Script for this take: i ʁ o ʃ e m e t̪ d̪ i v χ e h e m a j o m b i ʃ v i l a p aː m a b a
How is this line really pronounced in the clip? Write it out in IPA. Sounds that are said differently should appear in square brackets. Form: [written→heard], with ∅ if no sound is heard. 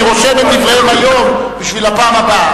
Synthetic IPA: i ʁ o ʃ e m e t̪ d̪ i v [χ→ʁ] e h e m a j o m b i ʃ v i l a p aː m a b a